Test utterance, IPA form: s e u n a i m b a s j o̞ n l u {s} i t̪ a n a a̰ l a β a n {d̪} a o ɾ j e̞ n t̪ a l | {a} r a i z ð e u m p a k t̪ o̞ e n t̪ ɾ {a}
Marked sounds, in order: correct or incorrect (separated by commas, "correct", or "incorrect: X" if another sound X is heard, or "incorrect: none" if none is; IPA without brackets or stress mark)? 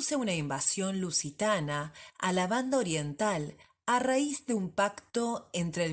correct, correct, correct, incorrect: e